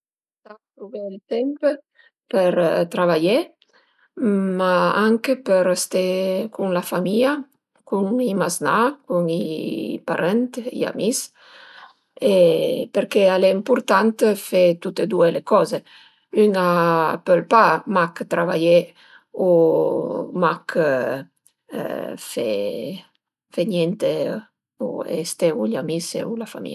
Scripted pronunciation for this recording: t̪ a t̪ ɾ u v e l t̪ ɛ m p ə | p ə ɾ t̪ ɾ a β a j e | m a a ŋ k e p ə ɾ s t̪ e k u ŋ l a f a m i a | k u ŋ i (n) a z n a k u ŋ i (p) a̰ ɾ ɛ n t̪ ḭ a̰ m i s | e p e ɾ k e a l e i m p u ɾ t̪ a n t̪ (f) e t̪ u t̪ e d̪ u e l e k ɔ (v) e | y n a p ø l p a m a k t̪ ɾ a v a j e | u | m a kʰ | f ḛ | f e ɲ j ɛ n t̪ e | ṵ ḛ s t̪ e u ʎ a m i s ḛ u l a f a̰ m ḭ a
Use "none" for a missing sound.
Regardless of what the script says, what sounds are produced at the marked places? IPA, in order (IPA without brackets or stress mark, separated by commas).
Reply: m, p, f, z